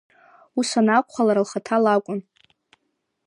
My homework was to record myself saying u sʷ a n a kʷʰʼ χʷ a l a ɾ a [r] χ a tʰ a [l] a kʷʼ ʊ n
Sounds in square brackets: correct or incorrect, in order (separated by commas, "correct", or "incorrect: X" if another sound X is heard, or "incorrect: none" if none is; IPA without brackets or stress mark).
incorrect: l, correct